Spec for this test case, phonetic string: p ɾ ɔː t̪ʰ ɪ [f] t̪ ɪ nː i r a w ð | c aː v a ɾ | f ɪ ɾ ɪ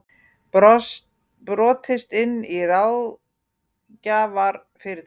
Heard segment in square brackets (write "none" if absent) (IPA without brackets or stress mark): s